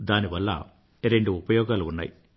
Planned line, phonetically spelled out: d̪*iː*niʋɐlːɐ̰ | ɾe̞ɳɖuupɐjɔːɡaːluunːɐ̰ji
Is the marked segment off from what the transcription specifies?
yes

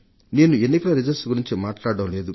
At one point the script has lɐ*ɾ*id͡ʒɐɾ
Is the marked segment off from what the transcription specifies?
no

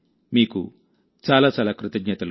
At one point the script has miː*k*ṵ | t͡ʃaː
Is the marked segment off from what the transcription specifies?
no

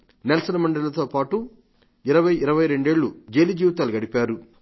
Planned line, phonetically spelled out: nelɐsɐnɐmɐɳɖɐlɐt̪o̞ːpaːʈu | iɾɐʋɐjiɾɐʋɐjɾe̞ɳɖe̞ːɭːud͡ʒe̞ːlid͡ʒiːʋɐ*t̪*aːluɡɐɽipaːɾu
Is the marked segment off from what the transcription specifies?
no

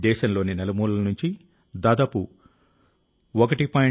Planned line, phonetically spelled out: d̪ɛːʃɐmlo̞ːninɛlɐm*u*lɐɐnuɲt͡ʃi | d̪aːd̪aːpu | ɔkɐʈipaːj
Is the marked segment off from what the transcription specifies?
yes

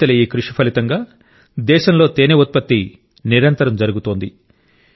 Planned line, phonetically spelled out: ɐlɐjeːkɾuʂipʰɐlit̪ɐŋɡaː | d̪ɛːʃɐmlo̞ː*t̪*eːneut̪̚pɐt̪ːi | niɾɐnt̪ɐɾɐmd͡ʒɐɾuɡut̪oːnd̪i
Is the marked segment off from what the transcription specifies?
no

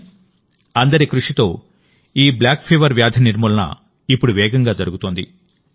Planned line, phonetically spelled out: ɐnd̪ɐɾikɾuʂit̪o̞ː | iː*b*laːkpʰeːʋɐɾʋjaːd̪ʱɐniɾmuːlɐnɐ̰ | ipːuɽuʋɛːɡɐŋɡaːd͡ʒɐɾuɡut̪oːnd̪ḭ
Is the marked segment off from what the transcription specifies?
no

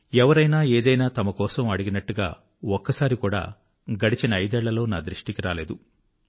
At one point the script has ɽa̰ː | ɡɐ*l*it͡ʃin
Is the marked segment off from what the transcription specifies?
yes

